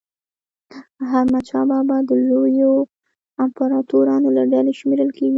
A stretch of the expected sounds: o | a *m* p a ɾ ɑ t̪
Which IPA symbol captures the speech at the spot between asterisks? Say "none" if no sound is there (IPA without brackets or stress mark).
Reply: m